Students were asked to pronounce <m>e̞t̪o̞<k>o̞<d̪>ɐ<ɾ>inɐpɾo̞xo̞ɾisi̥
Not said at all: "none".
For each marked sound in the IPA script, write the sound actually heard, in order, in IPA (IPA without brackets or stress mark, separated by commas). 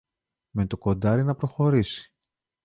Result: m, k, d̪, ɾ